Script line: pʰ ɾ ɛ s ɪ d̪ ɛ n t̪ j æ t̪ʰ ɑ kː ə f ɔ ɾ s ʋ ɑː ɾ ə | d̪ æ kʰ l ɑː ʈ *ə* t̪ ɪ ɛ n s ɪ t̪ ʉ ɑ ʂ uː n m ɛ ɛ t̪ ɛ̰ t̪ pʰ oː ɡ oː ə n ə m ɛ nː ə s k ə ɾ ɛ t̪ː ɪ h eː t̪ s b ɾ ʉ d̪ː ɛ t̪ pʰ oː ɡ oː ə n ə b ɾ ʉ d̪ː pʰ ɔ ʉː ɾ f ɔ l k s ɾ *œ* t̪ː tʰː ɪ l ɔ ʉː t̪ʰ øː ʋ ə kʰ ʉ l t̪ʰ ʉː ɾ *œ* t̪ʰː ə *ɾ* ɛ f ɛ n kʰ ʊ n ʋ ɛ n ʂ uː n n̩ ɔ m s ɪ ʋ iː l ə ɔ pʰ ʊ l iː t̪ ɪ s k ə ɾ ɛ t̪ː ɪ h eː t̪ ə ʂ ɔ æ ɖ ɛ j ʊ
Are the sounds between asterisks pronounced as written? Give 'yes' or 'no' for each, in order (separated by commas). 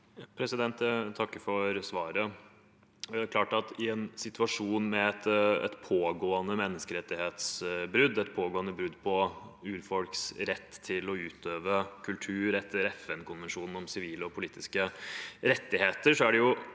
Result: no, no, no, yes